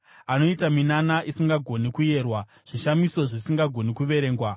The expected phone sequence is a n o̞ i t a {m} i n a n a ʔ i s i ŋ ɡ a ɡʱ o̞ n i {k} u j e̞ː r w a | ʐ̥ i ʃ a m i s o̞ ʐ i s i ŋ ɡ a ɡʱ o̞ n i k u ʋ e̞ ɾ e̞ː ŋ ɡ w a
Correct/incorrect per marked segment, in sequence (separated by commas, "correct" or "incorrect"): correct, correct